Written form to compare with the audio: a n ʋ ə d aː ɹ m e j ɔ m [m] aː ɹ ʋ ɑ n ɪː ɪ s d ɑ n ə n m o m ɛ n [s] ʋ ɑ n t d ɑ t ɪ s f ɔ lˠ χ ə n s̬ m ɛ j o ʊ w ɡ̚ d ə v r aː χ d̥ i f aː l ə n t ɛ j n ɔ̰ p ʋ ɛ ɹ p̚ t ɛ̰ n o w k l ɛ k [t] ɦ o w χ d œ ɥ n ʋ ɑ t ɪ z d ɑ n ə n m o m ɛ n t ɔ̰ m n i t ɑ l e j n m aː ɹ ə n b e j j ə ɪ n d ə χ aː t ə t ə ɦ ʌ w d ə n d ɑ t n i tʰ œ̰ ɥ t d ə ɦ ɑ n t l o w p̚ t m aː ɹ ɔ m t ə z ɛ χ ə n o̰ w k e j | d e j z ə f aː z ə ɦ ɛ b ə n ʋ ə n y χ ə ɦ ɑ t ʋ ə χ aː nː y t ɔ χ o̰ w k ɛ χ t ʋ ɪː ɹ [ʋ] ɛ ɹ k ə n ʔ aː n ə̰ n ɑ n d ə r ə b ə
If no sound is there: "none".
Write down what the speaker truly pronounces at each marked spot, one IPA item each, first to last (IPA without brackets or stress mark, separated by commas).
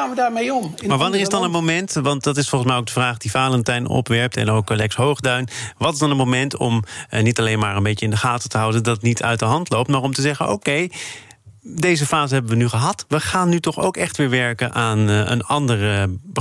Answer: m, t, s, ʋ